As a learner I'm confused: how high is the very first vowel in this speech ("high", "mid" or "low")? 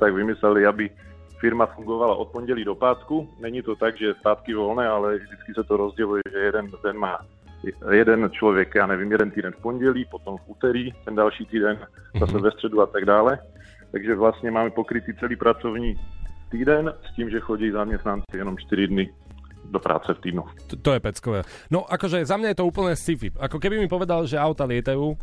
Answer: low